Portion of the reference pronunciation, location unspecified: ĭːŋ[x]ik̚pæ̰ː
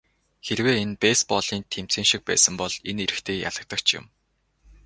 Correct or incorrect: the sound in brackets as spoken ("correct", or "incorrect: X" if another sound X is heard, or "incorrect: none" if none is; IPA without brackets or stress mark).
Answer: incorrect: ʃ